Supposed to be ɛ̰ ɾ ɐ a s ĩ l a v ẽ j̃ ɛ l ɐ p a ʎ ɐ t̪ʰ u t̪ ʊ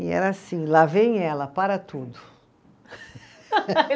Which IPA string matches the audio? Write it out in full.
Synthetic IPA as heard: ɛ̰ ɾ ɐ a s ĩ l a v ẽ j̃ ɛ l ɐ p a ɾ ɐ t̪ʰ u d̪ ʊ

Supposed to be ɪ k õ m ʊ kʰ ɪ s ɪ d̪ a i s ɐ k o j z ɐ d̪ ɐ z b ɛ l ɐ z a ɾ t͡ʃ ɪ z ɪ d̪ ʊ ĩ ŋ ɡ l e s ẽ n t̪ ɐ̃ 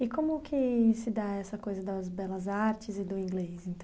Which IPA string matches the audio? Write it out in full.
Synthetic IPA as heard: ɪ k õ m ʊ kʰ ɪ s ɪ d̪ a ɛ s ɐ k o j z ɐ d̪ ɐ z b ɛ l ɐ z a ɾ t͡ʃ ɪ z ɪ d̪ ʊ ĩ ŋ ɡ l e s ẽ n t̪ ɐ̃

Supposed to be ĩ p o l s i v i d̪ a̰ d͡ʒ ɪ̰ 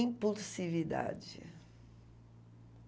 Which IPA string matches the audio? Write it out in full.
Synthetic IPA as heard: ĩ p u l s i v i d̪ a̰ d͡ʒ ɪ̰

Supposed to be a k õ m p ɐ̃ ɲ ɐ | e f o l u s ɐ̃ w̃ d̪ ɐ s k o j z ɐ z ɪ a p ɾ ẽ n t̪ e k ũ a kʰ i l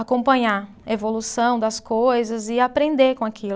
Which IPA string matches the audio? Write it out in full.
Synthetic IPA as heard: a k õ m p ɐ̃ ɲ a | e v o l u s ɐ̃ w̃ d̪ ɐ s k o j z ɐ z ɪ a p ɾ ẽ n d̪ e k õ a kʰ i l

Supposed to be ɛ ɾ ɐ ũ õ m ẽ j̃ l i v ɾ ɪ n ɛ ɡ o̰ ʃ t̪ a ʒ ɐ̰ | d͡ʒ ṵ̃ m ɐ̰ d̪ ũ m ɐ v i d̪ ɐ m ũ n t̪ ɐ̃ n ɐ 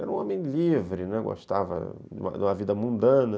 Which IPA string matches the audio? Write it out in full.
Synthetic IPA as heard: ɛ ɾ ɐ ũ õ m ẽ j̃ l i v ɾ ɪ n ɛ ɡ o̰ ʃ t̪ a v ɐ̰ | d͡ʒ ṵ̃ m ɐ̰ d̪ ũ m ɐ v i d̪ ɐ m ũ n d̪ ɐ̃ n ɐ

